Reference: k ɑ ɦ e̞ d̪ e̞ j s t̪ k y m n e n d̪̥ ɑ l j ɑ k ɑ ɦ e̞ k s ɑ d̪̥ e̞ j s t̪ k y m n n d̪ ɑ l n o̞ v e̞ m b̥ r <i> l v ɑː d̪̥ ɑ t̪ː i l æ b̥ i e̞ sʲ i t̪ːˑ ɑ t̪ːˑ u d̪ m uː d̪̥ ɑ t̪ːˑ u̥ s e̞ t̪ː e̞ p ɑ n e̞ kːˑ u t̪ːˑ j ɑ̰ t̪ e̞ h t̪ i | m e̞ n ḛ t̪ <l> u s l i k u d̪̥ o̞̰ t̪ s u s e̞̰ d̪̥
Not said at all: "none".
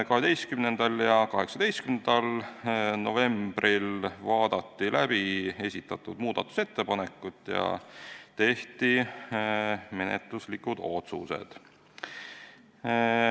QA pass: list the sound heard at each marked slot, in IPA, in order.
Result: i, l

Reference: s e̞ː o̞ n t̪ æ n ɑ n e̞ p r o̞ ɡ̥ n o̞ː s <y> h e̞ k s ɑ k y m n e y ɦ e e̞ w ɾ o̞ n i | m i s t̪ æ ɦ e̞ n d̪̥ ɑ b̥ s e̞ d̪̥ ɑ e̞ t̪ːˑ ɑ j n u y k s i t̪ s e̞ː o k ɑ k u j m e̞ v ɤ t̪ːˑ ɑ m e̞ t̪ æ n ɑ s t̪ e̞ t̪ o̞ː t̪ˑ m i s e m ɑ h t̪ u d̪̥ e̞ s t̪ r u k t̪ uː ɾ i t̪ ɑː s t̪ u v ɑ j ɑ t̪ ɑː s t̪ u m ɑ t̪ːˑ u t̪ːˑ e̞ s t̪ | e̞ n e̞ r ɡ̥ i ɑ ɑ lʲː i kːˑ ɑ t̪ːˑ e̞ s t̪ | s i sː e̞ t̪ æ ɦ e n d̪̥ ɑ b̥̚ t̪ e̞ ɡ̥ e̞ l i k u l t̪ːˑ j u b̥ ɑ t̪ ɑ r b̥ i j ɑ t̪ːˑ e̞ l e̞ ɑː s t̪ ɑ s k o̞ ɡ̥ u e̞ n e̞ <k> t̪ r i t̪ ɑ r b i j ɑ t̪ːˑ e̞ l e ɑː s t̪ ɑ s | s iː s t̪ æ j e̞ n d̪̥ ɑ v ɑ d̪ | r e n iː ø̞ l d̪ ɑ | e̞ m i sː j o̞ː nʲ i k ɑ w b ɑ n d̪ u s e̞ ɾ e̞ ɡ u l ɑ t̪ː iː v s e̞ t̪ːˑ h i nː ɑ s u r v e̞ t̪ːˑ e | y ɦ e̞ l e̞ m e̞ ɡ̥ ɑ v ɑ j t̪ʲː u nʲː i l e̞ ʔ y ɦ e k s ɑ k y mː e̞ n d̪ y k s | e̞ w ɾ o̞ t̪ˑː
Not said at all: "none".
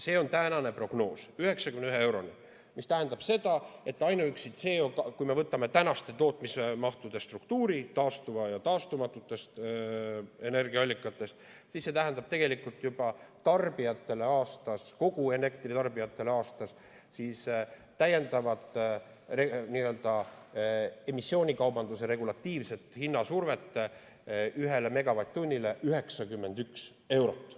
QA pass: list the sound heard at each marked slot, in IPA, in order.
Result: y, k

